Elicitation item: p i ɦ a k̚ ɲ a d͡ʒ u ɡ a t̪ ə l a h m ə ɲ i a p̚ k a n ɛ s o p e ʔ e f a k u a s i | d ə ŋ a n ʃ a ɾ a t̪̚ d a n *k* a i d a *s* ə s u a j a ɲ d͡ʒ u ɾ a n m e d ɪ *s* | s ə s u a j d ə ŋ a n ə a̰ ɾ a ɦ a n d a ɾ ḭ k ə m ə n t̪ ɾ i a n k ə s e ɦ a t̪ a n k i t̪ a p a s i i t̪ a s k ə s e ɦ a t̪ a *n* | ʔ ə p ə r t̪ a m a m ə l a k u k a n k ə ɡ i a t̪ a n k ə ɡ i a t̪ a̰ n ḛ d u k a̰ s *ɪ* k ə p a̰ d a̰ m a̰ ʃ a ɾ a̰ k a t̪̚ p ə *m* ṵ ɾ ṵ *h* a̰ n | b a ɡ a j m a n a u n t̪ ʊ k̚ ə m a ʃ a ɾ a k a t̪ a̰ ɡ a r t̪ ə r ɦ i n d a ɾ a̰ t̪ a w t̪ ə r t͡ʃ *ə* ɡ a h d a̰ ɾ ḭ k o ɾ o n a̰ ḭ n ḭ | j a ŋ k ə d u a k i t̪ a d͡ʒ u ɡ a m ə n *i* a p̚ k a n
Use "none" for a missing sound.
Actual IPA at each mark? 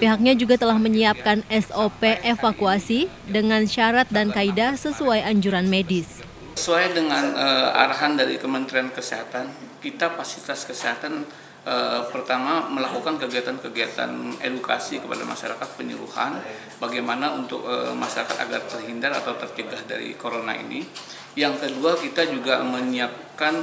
k, s, s, n, i, ɲ, h, ə, i

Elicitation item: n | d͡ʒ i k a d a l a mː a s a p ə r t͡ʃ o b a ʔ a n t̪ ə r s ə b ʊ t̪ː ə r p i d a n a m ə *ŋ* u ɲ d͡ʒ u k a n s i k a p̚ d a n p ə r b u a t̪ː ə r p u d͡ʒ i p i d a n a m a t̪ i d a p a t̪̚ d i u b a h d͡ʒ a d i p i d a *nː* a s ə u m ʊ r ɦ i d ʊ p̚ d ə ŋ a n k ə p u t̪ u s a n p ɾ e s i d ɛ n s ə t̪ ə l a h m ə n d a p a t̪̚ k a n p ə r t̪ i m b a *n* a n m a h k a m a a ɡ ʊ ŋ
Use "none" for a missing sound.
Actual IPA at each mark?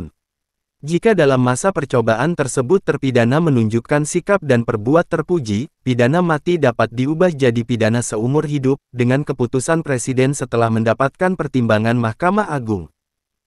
n, n, ŋ

